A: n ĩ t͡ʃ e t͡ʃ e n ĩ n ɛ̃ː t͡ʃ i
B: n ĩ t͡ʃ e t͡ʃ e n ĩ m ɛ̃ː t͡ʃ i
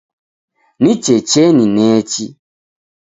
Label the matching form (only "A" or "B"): A